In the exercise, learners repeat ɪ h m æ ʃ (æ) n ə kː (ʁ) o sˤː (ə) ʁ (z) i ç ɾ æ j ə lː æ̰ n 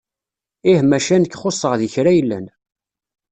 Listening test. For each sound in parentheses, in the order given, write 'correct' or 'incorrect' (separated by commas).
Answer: correct, incorrect, correct, incorrect